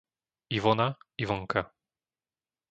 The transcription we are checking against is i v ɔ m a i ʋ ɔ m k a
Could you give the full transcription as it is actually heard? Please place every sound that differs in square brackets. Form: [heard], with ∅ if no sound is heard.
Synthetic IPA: i v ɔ [n] a i [v] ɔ [ŋ] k a